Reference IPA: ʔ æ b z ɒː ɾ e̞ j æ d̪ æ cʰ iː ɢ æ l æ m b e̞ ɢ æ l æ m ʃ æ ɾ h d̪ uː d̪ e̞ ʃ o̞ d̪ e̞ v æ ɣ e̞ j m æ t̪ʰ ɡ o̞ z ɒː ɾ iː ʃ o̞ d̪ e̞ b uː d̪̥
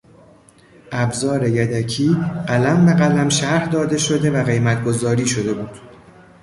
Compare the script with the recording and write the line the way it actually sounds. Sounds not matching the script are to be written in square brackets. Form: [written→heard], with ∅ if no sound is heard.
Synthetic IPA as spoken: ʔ æ b z ɒː ɾ e̞ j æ d̪ æ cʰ iː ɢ æ l æ m b e̞ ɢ æ l æ m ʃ æ ɾ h d̪ [uː→ɒː] d̪ e̞ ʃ o̞ d̪ e̞ v æ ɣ e̞ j m æ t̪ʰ ɡ o̞ z ɒː ɾ iː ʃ o̞ d̪ e̞ b uː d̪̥